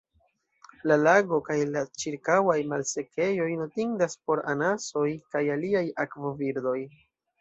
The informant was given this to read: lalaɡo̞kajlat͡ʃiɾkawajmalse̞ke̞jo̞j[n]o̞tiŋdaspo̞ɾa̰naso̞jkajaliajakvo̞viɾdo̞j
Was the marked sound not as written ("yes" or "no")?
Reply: no